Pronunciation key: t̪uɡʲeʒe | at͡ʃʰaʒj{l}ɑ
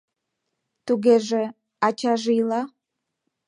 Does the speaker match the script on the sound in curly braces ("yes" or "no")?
yes